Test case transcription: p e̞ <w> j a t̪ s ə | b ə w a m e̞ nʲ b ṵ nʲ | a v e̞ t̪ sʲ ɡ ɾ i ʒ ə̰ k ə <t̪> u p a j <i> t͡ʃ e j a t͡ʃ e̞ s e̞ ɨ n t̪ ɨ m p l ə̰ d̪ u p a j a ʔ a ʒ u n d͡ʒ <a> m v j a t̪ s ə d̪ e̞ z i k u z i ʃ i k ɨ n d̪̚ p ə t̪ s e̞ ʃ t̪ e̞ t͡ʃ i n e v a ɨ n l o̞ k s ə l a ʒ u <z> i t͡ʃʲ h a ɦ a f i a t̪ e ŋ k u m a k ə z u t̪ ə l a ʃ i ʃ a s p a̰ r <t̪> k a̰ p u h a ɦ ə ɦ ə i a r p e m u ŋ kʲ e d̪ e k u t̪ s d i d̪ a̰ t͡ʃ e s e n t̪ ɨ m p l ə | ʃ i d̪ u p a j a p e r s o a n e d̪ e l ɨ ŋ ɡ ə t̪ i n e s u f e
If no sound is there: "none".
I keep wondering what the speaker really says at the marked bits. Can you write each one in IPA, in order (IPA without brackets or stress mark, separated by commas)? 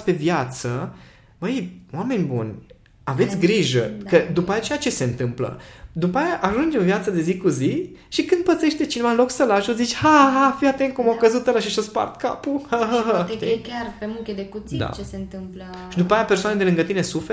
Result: v, d̪, a, e, z, t̪